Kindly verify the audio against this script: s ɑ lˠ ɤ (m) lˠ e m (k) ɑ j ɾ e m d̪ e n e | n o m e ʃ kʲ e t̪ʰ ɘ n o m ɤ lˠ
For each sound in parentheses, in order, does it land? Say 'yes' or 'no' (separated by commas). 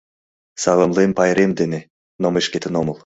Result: yes, no